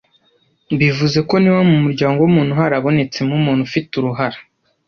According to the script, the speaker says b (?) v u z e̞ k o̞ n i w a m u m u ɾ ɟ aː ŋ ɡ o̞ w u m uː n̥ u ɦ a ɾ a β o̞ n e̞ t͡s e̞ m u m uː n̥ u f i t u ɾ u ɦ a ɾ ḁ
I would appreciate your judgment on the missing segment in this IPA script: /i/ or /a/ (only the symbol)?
i